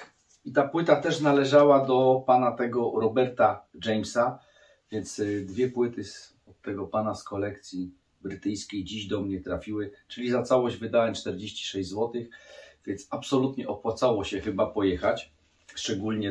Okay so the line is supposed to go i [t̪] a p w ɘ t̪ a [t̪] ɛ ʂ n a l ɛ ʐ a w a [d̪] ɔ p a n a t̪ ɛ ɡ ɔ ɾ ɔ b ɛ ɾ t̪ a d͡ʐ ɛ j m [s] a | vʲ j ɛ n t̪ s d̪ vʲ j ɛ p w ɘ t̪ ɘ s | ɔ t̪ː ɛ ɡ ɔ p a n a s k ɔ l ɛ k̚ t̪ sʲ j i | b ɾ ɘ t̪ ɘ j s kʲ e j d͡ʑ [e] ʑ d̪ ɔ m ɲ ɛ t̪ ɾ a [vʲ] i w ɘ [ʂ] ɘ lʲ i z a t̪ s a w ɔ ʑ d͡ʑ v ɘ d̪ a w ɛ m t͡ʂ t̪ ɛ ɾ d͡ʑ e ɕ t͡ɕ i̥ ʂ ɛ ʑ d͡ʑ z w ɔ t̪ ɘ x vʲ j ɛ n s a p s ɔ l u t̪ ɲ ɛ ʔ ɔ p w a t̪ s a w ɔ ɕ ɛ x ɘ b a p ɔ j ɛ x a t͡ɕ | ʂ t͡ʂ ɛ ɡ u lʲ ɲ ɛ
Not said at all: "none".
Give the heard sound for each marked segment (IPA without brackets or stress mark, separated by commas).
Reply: t̪, t̪, d̪, s, i, fʲ, t͡ʂ